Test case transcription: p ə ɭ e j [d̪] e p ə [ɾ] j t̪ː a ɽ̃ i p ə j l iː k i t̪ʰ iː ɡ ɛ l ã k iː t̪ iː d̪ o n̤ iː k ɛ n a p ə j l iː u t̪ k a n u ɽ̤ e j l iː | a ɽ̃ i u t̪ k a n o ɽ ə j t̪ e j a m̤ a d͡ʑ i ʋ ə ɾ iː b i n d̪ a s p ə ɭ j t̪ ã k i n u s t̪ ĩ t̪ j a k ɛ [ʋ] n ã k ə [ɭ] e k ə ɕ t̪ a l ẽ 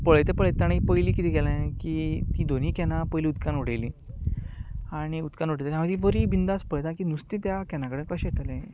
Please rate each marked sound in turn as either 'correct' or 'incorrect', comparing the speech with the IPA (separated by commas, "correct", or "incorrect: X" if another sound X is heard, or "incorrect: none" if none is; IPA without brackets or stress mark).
incorrect: t̪, incorrect: ɭ, incorrect: none, incorrect: ɽ